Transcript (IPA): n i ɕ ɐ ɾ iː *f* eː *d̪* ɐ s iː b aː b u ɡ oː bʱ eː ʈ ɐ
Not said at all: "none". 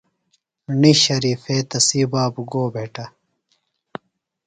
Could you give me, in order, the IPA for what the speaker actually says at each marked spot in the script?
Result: f, t̪

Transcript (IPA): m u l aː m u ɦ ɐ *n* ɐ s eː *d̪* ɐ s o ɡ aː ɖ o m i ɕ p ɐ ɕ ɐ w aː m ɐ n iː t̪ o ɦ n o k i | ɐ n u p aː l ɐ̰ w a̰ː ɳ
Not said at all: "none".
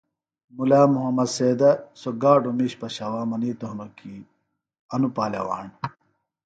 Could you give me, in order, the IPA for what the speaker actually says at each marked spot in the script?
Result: m, d̪

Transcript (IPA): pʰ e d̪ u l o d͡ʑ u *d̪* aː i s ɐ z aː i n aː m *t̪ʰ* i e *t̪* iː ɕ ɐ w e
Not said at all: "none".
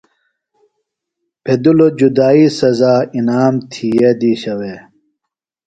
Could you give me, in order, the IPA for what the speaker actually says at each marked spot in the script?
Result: d̪, t̪ʰ, d̪

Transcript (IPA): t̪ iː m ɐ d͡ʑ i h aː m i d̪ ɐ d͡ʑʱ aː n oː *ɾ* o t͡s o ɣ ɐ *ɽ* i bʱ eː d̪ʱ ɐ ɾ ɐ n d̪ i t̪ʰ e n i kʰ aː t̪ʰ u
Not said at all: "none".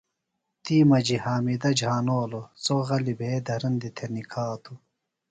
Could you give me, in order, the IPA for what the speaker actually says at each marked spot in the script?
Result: l, l

